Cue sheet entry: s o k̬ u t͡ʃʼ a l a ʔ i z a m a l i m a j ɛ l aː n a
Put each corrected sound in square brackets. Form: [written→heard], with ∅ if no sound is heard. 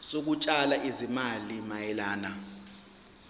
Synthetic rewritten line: s o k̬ u t͡ʃʼ a l a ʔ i z [a→i] m a l i m a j ɛ l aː n a